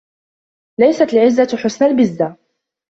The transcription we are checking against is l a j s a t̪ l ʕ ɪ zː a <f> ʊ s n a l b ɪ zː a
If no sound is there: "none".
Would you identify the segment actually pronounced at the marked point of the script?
ħ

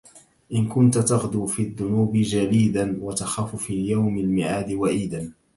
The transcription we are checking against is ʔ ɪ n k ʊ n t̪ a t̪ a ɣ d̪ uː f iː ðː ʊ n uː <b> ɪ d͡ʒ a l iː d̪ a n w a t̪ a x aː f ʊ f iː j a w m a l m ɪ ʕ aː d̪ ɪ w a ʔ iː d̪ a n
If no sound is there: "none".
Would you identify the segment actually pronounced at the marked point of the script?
b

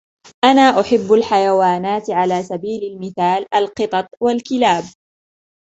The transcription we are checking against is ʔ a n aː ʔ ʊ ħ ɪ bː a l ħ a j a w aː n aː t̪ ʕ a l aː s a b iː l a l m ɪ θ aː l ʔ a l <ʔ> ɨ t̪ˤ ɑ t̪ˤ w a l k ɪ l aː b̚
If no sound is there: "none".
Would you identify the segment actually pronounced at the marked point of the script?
q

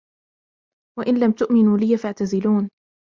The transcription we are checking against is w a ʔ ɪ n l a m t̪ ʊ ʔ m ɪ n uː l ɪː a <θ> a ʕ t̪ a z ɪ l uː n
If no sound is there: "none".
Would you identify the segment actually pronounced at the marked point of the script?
f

